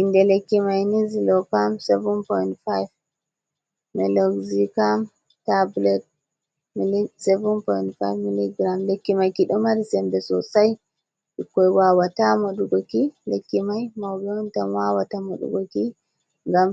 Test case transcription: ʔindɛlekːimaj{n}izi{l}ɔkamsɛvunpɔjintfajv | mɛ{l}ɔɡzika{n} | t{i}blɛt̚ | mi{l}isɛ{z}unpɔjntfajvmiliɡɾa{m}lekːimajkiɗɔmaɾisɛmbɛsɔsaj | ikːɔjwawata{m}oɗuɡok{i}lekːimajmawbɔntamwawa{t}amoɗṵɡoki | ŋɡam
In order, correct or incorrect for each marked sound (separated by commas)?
correct, correct, correct, incorrect, incorrect, correct, incorrect, correct, correct, correct, correct